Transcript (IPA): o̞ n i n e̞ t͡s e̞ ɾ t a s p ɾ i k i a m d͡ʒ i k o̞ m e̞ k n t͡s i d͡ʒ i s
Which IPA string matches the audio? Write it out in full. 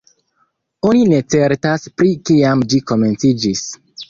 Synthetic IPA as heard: o̞ n i n e̞ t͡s e̞ ɾ t a s p ɾ i k i a m d͡ʒ i k o̞ m e̞ n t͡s i d͡ʒ i s